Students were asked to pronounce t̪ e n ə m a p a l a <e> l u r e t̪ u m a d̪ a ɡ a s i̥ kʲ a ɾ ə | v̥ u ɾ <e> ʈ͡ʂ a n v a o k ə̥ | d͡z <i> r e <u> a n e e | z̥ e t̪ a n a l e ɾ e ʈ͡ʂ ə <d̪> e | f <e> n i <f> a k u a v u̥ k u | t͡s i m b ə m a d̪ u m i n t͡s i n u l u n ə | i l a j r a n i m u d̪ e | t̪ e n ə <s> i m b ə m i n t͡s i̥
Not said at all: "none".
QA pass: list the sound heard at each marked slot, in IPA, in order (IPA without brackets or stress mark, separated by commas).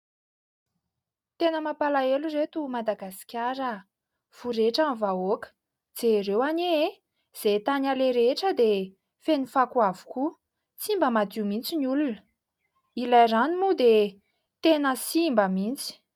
e, e, e, w, d̪, e, f, s